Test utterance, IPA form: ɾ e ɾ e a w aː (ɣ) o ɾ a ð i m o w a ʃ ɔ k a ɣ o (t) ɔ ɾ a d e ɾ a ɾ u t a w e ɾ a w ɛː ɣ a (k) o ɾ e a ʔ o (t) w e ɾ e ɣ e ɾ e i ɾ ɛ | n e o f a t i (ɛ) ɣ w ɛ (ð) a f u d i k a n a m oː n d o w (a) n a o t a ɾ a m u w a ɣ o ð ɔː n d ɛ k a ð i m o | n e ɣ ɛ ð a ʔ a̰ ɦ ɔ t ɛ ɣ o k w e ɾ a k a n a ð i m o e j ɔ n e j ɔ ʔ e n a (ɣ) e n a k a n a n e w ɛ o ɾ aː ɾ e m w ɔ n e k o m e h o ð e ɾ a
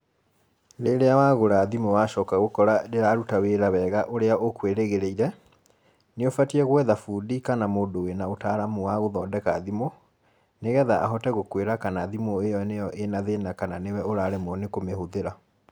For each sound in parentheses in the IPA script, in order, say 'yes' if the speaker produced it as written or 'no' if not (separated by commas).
yes, no, no, no, yes, yes, no, no